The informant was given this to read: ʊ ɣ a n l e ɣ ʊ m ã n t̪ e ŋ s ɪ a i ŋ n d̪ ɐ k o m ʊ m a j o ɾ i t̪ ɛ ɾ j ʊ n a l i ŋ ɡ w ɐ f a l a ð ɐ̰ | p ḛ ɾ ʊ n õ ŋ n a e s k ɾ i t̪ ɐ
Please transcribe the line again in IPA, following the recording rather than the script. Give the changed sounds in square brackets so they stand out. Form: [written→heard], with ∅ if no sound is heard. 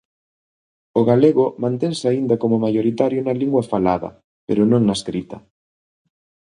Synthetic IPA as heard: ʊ ɣ a [n→∅] l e ɣ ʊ m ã n t̪ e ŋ s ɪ a i [ŋ→∅] n d̪ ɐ k o m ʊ m a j o ɾ i t̪ [ɛ→a] ɾ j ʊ n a l i ŋ ɡ w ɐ f a l a ð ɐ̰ | p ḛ ɾ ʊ n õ ŋ n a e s k ɾ i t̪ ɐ